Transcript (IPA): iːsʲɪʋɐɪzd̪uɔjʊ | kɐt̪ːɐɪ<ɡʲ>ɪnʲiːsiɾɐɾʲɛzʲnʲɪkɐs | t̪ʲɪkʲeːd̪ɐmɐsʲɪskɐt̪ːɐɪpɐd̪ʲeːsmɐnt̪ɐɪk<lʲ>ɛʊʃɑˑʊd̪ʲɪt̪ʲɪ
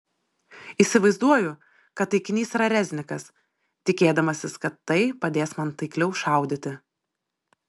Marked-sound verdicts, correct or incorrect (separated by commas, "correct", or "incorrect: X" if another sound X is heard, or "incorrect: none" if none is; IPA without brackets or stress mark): incorrect: kʲ, correct